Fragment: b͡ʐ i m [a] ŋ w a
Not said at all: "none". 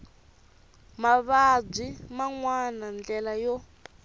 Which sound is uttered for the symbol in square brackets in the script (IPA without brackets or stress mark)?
a